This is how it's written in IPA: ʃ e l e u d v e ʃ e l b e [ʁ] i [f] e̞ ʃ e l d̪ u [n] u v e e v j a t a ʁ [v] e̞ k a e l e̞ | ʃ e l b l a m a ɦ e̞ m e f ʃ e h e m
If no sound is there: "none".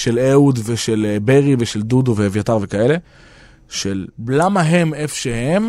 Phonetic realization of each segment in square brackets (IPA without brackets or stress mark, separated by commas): ʁ, v, d, v